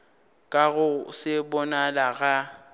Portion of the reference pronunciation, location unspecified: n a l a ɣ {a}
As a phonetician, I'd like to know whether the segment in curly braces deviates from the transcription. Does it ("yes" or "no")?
no